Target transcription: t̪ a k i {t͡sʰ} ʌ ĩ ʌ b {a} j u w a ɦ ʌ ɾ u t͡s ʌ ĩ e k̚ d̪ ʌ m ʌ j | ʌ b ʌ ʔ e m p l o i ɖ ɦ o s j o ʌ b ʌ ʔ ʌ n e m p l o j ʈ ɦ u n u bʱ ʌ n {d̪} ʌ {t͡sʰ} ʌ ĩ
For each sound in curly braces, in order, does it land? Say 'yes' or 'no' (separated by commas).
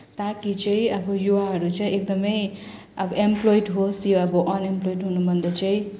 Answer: no, no, yes, no